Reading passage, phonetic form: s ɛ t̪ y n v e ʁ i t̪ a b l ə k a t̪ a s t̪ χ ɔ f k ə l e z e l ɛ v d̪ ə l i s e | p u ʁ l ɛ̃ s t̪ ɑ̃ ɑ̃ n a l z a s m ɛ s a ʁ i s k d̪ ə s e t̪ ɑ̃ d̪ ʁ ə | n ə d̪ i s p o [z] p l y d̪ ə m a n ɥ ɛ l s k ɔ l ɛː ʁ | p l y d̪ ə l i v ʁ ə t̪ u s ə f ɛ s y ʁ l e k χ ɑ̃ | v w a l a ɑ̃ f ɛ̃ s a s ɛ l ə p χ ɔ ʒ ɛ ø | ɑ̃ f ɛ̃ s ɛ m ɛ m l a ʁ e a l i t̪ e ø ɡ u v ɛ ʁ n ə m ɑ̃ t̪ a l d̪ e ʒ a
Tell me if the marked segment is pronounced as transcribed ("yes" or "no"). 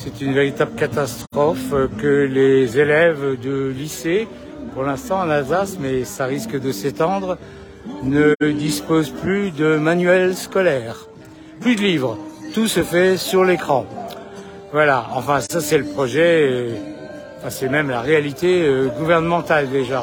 yes